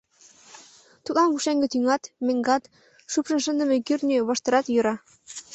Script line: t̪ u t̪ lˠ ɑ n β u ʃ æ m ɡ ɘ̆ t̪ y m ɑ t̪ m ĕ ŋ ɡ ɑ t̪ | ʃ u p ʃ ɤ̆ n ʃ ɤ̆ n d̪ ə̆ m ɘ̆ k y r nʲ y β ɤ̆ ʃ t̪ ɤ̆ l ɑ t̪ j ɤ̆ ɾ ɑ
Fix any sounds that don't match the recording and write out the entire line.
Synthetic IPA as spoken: t̪ u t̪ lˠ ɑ n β u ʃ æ ŋ ɡ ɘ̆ t̪ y ŋ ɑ t̪ m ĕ ŋ ɡ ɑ t̪ | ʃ u p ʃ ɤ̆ n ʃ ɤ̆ n d̪ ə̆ m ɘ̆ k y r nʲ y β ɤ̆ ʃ t̪ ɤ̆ ɾ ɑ t̪ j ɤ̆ ɾ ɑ

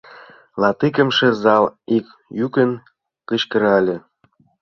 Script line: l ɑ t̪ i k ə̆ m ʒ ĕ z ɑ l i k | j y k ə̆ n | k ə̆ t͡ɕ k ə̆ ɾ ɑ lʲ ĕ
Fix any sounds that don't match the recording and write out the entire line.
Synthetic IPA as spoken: l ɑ t̪ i k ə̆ m ʃ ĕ z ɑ l i k | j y k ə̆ n | k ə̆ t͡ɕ k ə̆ ɾ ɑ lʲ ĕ

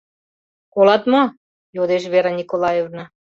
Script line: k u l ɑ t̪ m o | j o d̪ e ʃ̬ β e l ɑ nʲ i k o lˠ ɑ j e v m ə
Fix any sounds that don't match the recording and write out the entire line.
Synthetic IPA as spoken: k o l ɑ t̪ m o | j o d̪ e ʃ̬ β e ɾ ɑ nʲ i k o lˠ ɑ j e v n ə

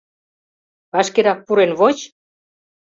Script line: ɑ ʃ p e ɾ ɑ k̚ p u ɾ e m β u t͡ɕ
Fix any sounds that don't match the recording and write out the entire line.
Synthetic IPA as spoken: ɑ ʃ k e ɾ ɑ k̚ p u ɾ e n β o t͡ɕ

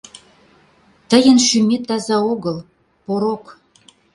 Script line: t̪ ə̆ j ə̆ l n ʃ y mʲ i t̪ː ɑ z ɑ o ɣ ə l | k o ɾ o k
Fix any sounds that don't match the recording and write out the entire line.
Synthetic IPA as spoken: t̪ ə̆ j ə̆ n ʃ y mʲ e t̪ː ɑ z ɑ o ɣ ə l | p o ɾ o k

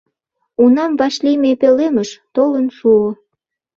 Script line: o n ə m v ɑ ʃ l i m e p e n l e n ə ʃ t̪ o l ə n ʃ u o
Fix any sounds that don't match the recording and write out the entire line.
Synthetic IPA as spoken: u n ɑ m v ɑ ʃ l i m e p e l e m ə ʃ t̪ o l ə n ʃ u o

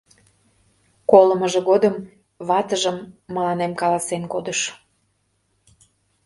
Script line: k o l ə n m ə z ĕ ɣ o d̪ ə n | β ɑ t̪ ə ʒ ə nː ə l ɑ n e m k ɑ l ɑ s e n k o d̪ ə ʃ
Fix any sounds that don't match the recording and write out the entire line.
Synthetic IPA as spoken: k o l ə m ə ʒ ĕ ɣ o d̪ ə m | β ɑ t̪ ə ʒ ə mː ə l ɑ n e m k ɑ l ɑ s e n k o d̪ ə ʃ

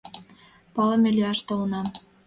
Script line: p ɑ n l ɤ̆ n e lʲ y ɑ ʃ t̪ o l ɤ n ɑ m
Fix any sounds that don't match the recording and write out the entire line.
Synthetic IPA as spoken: p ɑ l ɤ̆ m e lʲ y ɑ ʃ t̪ o l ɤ n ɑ m

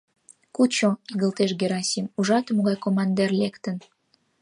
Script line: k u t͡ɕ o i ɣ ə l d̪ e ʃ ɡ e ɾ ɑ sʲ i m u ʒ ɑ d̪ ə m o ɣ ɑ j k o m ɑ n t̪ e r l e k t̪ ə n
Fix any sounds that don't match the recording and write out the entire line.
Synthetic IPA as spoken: k u t͡ɕ o i ɣ ə l t̪ e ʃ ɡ e ɾ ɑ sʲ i m u ʒ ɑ t̪ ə m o ɣ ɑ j k o m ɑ n d̪ e r l e k t̪ ə n

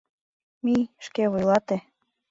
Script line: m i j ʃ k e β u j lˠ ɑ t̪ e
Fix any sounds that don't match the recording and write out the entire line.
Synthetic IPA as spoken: m i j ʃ k e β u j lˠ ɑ t̪ e

